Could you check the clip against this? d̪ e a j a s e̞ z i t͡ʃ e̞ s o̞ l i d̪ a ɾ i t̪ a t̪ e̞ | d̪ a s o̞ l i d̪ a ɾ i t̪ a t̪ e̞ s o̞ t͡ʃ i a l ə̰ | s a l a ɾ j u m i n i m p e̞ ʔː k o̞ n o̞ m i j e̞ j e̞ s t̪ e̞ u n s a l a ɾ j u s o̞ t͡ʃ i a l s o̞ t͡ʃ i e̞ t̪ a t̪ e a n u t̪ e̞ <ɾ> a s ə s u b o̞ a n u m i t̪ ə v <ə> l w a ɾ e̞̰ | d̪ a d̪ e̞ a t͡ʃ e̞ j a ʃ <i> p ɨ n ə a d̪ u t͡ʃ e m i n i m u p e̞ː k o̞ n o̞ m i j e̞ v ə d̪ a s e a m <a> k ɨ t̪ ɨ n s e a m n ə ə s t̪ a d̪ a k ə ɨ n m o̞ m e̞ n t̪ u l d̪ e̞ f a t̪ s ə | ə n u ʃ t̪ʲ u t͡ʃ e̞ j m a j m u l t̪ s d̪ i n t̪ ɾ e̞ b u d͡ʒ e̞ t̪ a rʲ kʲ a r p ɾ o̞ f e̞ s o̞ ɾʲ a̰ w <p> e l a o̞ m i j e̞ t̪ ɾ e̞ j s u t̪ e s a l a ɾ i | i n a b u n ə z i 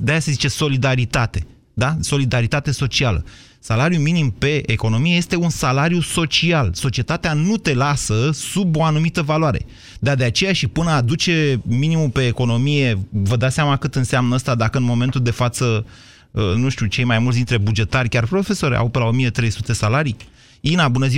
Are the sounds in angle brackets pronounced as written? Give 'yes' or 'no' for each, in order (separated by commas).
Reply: no, no, yes, yes, yes